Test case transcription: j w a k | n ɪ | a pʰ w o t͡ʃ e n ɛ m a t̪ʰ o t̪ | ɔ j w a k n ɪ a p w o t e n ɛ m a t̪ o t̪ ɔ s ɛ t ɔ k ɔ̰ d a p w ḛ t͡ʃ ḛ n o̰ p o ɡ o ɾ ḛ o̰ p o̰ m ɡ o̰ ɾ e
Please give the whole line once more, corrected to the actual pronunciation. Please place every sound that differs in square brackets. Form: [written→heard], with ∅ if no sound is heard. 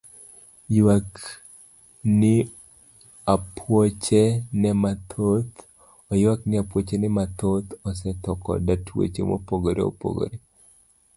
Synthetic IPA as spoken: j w a k | n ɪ | a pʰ w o t͡ʃ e n ɛ m a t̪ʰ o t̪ | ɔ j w a k n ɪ a p w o [t→t͡ʃ] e n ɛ m a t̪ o t̪ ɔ s ɛ t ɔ k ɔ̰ d a [p→t] w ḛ t͡ʃ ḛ [n→m] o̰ p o ɡ o ɾ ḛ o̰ p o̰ [m→∅] ɡ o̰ ɾ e